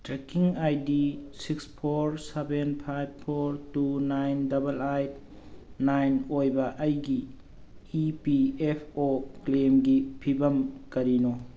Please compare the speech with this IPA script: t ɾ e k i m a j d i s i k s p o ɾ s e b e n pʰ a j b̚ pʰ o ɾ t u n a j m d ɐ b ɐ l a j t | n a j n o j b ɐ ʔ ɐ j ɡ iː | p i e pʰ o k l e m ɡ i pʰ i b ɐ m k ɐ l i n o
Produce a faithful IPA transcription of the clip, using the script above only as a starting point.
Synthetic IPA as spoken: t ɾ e k i ŋ a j d i s i k s pʰ o ɾ s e b e n pʰ a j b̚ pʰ o ɾ t u n a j n d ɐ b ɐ l a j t | n a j n o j b ɐ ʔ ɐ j ɡ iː | p i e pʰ o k l e m ɡ i pʰ i b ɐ m k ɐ ɾ i n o